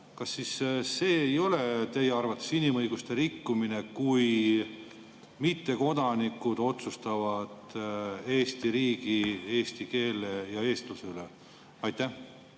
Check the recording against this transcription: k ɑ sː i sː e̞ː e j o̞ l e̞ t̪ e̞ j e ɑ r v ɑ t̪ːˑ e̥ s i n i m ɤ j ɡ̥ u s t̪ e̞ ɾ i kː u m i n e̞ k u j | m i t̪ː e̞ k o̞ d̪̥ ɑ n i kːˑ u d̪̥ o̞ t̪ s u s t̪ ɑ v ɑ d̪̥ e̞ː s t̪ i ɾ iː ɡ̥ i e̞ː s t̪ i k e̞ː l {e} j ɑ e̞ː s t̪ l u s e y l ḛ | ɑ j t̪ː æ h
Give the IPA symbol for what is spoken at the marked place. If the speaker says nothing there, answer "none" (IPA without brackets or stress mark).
e